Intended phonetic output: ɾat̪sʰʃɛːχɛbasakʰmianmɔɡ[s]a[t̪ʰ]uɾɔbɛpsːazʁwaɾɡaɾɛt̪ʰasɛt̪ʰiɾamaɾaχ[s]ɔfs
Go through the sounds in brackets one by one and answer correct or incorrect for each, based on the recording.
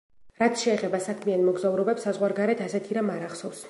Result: incorrect: z, incorrect: none, correct

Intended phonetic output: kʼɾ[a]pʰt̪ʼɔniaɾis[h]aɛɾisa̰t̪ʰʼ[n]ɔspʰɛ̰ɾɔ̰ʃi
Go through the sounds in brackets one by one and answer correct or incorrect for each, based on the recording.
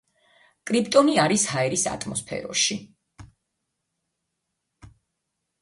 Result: incorrect: i, correct, incorrect: m

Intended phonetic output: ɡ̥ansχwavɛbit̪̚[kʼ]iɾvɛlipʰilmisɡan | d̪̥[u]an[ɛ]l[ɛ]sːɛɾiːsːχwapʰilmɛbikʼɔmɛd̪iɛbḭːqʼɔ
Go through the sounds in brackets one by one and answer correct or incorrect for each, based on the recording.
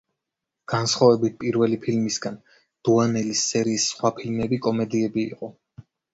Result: incorrect: pʼ, correct, correct, incorrect: i

